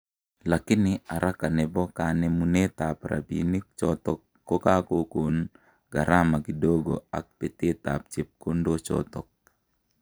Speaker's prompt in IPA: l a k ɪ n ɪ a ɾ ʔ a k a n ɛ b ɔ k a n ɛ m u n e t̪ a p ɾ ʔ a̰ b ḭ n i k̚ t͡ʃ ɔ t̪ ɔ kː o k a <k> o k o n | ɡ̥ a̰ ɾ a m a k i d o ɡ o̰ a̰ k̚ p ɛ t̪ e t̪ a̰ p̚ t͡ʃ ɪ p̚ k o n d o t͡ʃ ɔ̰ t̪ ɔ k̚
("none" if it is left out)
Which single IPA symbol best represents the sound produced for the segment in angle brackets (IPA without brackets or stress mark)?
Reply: k